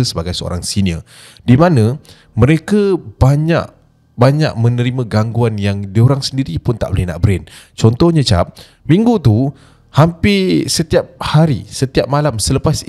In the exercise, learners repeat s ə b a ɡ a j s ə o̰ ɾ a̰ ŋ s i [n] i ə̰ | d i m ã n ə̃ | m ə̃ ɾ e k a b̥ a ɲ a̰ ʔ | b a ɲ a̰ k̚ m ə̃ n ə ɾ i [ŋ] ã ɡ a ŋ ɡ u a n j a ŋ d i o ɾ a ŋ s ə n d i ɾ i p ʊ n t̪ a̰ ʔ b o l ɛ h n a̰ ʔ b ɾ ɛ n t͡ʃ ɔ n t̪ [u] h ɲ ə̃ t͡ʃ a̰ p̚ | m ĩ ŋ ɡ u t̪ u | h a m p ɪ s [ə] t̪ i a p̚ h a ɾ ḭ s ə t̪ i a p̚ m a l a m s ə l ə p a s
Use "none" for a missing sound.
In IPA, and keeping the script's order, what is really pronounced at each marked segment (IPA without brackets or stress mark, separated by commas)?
n, m, ɔ, ə